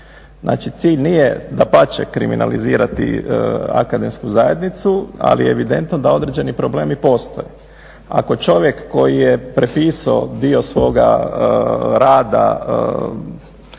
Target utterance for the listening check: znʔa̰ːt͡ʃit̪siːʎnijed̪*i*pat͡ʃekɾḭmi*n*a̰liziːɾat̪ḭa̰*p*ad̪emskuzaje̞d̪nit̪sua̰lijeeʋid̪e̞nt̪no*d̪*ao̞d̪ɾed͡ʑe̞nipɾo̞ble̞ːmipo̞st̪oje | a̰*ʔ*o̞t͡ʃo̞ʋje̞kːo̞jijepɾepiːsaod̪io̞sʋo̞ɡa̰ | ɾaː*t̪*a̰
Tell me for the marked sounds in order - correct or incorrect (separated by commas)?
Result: incorrect, correct, incorrect, correct, incorrect, incorrect